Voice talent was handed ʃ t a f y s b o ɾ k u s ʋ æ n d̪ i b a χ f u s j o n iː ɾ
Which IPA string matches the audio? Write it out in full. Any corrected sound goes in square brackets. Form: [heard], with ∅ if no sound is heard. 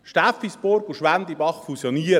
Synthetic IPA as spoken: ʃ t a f [i] s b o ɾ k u [ʃ] ʋ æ n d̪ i b [ɑ] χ f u s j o n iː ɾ